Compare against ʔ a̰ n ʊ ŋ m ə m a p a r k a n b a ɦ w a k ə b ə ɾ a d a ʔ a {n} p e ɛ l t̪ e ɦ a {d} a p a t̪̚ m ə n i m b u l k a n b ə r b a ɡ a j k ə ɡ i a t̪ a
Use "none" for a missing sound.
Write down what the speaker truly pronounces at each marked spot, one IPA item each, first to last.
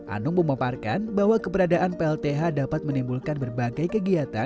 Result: n, d

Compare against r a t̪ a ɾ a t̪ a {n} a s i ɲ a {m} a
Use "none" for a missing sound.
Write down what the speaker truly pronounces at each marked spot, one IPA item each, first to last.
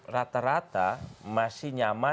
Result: m, m

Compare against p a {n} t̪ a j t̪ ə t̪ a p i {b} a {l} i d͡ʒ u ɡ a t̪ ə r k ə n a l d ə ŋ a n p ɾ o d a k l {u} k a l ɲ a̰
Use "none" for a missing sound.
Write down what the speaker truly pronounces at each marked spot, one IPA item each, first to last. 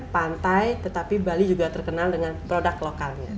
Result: n, b, l, o

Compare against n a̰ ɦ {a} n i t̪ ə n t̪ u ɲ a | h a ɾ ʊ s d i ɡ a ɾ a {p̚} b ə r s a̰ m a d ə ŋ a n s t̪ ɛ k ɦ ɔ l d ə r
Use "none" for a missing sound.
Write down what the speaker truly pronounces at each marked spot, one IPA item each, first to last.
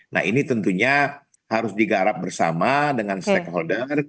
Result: i, p̚

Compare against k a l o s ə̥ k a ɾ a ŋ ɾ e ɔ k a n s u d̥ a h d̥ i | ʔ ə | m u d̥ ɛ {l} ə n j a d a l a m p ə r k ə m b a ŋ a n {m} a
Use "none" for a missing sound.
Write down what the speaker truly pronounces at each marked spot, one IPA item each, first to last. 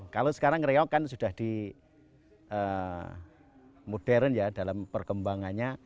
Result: ɾ, ɲ

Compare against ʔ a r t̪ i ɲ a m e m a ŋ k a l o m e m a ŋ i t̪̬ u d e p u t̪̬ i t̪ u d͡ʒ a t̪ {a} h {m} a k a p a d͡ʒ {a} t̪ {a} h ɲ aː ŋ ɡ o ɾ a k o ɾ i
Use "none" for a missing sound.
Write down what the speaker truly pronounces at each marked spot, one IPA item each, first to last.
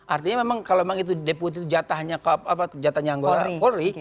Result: a, ɲ, a, a

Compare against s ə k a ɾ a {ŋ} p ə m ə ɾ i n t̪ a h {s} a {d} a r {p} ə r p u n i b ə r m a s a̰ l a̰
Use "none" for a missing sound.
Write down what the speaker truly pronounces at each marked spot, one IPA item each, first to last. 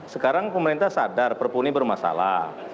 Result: ŋ, s, d, p

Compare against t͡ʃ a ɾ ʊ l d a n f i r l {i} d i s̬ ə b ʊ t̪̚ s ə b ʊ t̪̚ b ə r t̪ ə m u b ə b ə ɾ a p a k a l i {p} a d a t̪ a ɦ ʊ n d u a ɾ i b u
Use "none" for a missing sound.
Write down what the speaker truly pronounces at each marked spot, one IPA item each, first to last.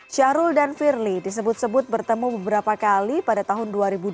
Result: i, p

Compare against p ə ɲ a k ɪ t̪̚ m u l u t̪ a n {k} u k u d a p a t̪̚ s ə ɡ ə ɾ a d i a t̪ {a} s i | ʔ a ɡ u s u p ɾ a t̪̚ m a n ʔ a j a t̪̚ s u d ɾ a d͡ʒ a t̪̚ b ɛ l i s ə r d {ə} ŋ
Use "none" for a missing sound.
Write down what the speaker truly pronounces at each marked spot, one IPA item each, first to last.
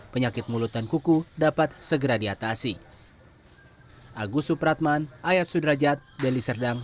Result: k, a, a

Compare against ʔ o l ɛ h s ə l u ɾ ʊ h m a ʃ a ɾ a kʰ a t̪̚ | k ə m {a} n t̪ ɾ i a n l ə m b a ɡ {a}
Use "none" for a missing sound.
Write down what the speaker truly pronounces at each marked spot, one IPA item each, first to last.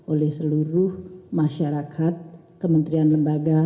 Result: ə, a

